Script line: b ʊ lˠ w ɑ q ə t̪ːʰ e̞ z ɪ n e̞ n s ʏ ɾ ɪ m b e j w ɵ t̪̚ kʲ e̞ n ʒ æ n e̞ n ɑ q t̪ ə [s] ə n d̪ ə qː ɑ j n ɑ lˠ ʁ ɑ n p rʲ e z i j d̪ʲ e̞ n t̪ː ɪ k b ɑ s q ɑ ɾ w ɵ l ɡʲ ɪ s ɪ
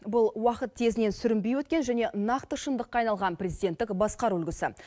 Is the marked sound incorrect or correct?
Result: incorrect